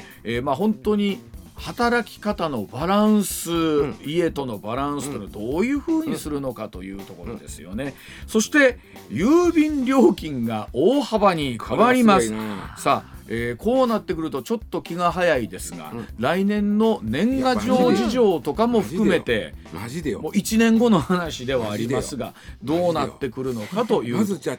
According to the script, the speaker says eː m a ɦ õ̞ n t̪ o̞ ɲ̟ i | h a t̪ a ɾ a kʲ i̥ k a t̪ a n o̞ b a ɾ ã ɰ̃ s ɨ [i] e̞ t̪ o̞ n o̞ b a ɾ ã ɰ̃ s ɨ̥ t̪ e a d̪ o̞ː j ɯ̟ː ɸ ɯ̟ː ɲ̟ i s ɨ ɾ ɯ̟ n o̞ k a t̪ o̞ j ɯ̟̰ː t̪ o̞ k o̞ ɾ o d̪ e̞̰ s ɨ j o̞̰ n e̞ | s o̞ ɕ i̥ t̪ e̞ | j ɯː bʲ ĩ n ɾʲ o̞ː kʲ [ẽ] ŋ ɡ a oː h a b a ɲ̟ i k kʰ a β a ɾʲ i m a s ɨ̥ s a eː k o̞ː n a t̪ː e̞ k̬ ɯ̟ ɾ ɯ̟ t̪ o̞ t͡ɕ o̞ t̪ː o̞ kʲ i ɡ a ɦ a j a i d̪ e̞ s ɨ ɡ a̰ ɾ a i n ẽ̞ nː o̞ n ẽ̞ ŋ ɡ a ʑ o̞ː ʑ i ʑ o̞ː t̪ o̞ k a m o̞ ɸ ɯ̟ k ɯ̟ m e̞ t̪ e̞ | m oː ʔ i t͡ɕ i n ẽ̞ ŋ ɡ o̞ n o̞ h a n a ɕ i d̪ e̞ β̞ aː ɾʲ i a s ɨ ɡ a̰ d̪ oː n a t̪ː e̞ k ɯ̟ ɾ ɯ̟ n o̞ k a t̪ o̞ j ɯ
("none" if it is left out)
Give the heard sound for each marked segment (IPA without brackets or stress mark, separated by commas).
i, ĩ